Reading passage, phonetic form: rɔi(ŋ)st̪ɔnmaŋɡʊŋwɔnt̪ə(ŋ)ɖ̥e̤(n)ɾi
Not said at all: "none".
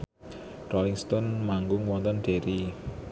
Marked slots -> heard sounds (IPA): ŋ, n, none

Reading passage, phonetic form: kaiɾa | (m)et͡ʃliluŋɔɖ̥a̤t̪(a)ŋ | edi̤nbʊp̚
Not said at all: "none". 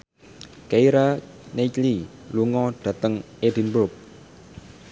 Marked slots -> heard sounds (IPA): n, ə

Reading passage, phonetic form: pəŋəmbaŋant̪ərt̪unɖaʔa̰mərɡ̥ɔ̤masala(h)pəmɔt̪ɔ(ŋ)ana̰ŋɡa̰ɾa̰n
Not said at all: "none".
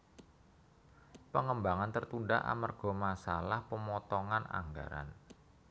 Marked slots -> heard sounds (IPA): h, ŋ

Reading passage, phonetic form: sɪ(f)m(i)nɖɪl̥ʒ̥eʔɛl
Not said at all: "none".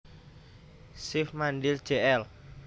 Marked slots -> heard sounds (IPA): f, a

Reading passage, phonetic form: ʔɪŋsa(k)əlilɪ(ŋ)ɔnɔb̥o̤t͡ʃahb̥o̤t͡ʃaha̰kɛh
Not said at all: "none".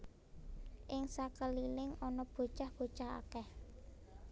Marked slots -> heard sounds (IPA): k, ŋ

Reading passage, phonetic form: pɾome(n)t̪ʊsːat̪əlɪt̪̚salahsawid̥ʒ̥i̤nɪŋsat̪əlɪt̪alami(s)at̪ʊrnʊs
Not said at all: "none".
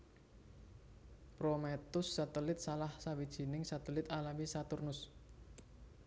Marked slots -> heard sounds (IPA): none, s

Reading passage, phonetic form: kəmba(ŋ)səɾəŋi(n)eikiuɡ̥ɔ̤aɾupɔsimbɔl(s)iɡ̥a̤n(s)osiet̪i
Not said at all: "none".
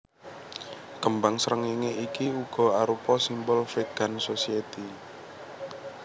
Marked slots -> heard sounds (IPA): ŋ, ŋ, f, s

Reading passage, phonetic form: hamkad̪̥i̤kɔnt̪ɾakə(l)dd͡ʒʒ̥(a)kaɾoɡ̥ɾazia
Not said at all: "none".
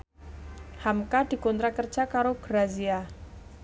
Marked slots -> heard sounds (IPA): r, a

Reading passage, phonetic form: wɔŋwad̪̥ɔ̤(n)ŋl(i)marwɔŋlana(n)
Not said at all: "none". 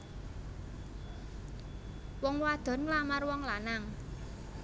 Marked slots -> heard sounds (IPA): n, a, ŋ

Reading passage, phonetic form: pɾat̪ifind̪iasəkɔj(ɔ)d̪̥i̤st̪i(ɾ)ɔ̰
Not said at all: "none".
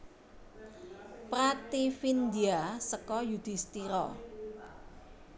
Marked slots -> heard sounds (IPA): u, ɾ

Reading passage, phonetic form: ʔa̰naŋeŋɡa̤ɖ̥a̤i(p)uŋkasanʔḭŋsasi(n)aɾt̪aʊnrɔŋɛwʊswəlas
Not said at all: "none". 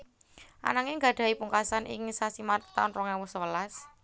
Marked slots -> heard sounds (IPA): p, m

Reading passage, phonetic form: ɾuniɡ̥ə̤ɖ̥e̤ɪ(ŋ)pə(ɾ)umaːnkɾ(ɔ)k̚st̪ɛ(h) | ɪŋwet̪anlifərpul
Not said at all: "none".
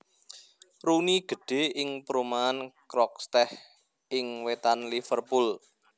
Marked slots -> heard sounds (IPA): ŋ, ɾ, ɔ, h

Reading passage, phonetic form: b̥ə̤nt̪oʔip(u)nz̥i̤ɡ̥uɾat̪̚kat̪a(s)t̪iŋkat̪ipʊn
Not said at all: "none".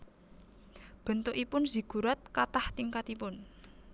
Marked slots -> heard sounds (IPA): ʊ, h

